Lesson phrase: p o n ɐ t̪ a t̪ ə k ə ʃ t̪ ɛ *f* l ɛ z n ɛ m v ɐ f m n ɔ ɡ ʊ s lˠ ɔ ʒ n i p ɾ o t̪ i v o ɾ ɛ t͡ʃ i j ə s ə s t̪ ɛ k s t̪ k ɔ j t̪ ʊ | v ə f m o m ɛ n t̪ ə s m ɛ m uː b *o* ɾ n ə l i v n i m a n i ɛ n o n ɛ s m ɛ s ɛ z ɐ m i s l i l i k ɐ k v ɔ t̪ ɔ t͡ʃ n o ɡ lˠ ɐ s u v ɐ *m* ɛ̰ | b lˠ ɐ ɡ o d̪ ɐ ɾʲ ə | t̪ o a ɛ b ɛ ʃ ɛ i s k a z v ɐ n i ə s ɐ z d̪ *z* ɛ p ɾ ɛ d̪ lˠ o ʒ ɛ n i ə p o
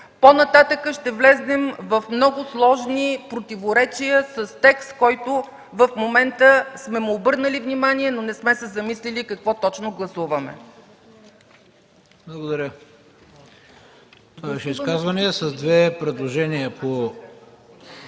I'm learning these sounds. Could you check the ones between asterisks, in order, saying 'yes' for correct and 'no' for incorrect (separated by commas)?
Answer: no, no, yes, no